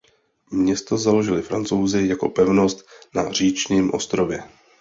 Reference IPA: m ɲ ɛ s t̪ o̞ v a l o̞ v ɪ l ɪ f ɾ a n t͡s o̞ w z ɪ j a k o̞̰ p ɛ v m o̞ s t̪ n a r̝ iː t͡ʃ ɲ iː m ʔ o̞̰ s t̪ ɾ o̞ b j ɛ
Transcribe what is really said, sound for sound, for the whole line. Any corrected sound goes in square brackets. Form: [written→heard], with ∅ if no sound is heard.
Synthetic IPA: m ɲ ɛ s t̪ o̞ [v→z] a l o̞ [v→ʒ] ɪ l ɪ f ɾ a n t͡s o̞ w z ɪ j a k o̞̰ p ɛ v [m→n] o̞ s t̪ n a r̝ iː t͡ʃ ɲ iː m ʔ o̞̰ s t̪ ɾ o̞ [b→v] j ɛ